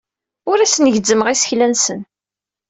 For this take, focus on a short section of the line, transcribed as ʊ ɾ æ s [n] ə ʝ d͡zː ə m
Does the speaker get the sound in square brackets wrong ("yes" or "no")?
no